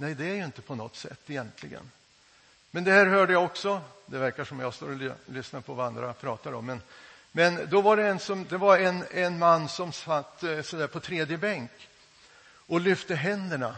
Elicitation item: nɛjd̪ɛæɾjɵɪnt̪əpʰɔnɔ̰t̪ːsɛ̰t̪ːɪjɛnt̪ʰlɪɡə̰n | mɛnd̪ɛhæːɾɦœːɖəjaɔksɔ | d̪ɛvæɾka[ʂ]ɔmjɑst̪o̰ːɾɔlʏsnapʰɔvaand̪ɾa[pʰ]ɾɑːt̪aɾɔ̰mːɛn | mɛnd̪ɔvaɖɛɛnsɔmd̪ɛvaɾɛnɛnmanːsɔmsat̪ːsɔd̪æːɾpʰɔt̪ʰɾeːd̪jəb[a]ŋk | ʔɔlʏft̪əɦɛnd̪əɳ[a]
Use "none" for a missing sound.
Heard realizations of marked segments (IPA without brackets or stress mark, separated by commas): ʂ, pʰ, ɛ, a